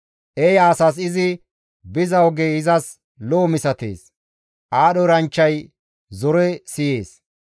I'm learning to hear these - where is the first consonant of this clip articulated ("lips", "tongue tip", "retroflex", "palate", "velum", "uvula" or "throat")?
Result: throat